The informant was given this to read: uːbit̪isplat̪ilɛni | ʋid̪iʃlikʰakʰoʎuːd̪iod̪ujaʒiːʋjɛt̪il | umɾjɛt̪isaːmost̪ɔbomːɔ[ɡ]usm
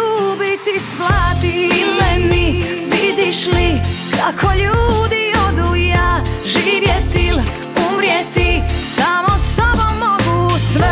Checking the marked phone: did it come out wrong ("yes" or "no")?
no